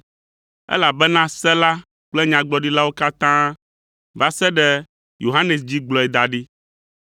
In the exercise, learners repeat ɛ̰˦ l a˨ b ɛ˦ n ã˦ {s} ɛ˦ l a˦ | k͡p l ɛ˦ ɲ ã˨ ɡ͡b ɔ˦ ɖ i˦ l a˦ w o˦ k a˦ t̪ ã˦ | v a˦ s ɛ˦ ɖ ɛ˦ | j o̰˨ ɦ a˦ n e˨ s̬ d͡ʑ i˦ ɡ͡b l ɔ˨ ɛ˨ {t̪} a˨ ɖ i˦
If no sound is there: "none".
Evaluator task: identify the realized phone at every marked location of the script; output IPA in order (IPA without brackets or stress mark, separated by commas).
s, d̪